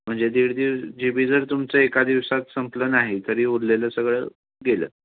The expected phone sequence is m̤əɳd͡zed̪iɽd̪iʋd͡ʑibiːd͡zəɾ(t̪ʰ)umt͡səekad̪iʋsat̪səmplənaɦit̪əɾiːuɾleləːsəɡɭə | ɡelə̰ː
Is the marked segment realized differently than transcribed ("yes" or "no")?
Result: yes